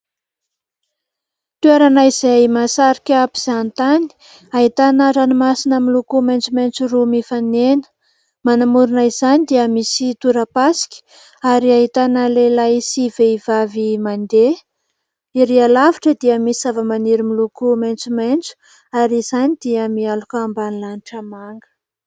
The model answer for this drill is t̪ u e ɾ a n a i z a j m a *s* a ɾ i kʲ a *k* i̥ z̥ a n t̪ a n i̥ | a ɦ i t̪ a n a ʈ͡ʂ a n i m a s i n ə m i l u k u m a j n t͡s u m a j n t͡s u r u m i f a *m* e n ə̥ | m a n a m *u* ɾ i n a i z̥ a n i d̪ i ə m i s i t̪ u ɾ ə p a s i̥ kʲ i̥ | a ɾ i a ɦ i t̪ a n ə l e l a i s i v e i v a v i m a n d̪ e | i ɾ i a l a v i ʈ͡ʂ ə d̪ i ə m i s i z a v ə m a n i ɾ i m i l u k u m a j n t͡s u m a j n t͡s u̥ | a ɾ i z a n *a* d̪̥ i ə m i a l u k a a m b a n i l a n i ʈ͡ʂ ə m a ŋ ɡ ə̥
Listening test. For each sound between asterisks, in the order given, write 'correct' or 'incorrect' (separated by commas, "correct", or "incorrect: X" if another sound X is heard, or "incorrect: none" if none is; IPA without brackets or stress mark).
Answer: correct, incorrect: p, incorrect: n, correct, incorrect: i